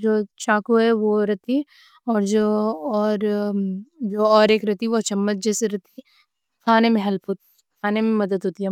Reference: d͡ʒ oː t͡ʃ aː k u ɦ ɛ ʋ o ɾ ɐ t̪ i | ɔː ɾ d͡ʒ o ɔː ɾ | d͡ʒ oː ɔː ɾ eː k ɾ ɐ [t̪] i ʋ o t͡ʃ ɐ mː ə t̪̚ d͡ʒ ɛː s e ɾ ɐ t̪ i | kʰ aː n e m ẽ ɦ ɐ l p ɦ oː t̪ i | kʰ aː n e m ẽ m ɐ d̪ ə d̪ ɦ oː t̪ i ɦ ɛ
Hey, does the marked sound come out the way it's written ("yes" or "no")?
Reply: yes